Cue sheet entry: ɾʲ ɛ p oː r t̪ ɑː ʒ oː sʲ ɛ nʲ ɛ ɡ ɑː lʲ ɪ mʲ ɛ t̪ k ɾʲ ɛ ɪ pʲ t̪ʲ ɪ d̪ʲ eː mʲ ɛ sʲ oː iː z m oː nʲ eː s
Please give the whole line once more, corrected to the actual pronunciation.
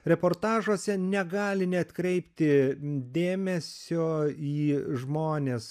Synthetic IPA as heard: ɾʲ ɛ p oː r t̪ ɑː ʒ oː sʲ ɛ nʲ ɛ ɡ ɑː lʲ ɪ nʲ ɛ t̪ k ɾʲ ɛ ɪ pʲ t̪ʲ ɪ d̪ʲ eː mʲ ɛ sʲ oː iː ʒ m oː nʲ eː s